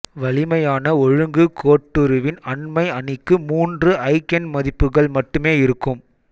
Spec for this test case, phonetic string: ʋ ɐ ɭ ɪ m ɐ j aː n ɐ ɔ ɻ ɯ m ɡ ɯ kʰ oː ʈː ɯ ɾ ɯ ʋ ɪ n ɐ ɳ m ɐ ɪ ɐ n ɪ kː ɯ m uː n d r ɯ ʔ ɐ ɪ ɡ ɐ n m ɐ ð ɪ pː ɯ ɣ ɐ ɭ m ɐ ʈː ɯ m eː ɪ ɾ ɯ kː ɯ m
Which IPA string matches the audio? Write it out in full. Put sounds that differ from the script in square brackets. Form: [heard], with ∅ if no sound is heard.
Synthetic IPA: ʋ ɐ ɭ ɪ m ɐ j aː n ɐ ɔ ɻ ɯ [ŋ] ɡ ɯ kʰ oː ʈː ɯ ɾ ɯ ʋ ɪ n ɐ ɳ m ɐ ɪ ɐ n ɪ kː ɯ m uː n d r ɯ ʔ ɐ ɪ [k] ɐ n m ɐ ð ɪ pː ɯ ɣ ɐ ɭ m ɐ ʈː ɯ m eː ɪ ɾ ɯ kː ɯ m